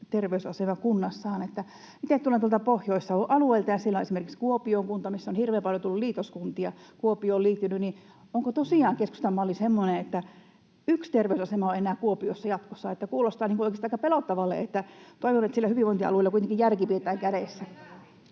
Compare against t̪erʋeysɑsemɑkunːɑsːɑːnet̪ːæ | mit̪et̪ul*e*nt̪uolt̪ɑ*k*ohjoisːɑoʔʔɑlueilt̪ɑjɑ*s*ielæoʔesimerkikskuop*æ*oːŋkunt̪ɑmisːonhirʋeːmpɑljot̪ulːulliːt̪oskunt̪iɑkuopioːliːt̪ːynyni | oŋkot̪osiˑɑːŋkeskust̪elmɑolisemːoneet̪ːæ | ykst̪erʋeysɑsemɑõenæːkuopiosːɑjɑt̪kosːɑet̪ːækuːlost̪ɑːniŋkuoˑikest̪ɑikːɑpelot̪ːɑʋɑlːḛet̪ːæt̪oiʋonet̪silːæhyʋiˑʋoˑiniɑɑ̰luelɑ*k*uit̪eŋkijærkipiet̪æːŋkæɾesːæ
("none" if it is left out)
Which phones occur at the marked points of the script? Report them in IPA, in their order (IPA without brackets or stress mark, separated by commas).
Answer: e, p, s, i, k